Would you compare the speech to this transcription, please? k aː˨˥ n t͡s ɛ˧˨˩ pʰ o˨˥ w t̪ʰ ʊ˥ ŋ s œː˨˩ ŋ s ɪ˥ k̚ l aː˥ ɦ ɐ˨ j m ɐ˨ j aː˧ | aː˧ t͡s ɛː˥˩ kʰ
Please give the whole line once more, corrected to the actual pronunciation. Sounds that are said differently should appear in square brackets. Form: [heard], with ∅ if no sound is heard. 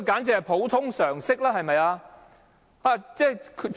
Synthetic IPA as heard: k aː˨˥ n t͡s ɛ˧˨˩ pʰ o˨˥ w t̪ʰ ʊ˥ ŋ s œː˨˩ ŋ s ɪ˥ k̚ l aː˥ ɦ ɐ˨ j m ɐ˨ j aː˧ | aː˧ t͡s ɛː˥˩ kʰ